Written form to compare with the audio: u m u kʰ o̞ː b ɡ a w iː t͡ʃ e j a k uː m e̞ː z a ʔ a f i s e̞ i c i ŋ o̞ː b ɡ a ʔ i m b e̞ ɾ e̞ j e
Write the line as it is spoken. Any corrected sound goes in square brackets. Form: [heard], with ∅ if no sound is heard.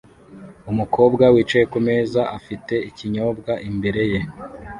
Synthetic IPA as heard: u m u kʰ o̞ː b ɡ a w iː t͡ʃ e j [e] k [u] m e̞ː z a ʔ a f i [t] e̞ i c i [ɲ] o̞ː b ɡ a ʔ i m b e̞ ɾ e̞ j e